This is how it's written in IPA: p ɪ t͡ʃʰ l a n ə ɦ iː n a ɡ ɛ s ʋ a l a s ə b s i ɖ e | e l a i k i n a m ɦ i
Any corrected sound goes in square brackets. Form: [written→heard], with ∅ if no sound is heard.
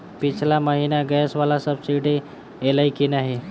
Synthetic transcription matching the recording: p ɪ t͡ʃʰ l a [n→m] ə ɦ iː n a ɡ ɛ s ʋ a l a s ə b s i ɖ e | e l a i k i n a [m→∅] ɦ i